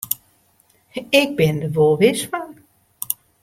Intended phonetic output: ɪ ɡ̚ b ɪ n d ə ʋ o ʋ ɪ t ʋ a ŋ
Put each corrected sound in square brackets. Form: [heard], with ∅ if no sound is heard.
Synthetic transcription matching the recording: ɪ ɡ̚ b ɪ n d ə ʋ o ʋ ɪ [s] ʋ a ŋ